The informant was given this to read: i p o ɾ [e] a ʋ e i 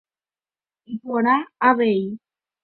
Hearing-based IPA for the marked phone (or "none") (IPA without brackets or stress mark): a